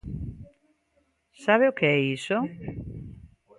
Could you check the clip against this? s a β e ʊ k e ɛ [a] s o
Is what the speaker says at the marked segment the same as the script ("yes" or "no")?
no